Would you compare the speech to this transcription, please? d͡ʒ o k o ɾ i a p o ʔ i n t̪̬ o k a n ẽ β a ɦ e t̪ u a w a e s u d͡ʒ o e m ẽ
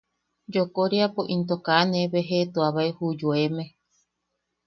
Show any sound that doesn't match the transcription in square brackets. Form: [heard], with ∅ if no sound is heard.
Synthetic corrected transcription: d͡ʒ o k o ɾ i a p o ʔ i n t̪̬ o k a n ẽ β [e] ɦ e t̪ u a [β] a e [h] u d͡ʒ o e m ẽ